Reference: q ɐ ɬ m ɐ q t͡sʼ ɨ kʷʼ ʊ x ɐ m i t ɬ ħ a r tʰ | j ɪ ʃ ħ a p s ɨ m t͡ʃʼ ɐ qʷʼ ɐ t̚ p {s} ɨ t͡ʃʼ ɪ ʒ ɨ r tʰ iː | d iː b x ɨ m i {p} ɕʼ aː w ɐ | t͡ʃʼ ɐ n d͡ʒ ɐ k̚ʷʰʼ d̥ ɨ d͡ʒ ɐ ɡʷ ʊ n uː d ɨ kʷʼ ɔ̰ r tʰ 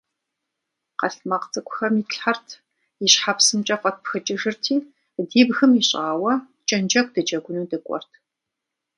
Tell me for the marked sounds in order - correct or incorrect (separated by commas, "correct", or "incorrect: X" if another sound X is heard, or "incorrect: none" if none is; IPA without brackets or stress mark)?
incorrect: x, incorrect: none